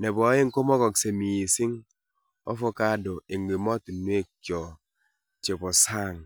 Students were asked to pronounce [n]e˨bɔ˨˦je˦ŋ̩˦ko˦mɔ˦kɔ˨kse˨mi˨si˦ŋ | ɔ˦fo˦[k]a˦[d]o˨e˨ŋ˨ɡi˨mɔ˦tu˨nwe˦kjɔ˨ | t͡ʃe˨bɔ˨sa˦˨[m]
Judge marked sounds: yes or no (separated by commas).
yes, yes, yes, no